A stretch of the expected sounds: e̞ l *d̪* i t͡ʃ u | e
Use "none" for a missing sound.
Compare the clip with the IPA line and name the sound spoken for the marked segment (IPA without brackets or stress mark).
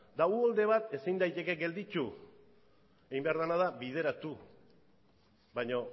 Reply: d̪